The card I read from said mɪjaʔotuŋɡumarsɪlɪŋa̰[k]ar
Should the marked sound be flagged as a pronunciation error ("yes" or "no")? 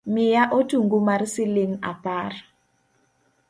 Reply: yes